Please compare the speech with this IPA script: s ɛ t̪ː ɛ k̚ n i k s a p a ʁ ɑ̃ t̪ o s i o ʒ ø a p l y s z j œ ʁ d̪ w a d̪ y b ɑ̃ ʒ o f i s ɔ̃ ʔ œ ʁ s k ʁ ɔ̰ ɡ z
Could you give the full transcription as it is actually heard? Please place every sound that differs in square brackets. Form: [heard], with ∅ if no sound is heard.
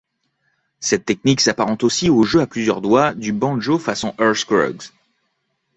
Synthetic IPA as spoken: s ɛ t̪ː ɛ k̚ n i k s a p a ʁ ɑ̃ t̪ o s i o ʒ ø a p l y [∅] z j œ ʁ d̪ w a d̪ y b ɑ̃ ʒ o f [a] s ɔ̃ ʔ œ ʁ s k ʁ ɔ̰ ɡ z